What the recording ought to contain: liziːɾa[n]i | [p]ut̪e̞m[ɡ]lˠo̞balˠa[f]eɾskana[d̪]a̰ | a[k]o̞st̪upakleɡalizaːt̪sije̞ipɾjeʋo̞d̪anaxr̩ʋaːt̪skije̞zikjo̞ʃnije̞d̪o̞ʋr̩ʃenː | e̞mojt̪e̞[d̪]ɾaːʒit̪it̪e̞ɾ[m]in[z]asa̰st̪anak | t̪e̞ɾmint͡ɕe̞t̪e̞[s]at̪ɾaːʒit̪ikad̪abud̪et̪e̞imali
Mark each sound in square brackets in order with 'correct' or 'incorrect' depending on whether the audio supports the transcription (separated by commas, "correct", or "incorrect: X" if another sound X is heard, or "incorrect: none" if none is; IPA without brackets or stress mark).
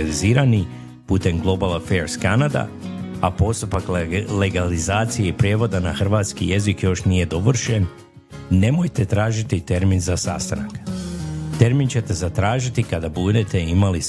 correct, correct, correct, correct, correct, incorrect: p, incorrect: t̪, correct, correct, incorrect: z